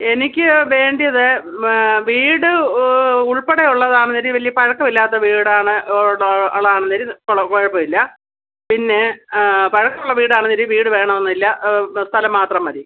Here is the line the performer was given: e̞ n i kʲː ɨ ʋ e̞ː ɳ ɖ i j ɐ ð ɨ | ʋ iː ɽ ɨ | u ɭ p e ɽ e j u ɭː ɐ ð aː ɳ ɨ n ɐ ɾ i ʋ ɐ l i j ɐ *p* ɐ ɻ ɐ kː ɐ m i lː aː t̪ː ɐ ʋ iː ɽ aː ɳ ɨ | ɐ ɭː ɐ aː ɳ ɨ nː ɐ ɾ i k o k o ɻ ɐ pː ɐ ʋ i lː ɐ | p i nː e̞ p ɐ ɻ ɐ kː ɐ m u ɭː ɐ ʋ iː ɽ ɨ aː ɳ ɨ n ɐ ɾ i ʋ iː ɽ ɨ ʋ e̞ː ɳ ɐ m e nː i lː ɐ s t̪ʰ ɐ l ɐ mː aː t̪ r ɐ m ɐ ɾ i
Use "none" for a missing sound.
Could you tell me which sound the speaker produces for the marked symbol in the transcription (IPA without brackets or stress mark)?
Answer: p